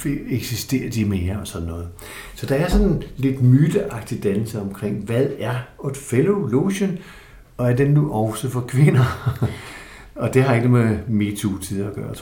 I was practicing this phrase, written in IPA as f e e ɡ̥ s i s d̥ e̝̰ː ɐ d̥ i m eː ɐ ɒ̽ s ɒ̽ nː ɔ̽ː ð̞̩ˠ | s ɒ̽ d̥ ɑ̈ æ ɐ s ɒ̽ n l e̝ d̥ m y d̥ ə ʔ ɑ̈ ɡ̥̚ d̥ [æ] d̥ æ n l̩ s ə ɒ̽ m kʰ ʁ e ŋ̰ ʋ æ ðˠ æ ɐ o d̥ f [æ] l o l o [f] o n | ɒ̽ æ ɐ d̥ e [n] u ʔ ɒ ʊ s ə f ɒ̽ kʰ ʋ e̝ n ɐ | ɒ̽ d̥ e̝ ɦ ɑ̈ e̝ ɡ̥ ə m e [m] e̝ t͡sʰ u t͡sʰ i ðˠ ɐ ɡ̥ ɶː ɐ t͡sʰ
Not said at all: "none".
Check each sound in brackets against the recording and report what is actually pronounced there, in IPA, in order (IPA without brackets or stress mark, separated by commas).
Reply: i, e, ɕ, nː, m